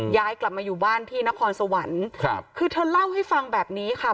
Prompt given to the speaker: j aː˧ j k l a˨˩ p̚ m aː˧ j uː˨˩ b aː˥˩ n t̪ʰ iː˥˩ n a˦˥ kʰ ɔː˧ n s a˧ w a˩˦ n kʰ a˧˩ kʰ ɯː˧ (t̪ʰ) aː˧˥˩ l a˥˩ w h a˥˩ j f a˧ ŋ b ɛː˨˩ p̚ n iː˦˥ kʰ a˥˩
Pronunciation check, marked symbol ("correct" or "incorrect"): correct